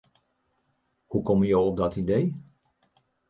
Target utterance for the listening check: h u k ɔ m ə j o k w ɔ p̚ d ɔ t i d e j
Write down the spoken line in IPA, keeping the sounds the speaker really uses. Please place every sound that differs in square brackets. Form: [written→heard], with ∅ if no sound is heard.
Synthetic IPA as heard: h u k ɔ m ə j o [k→∅] w ɔ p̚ d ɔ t i d e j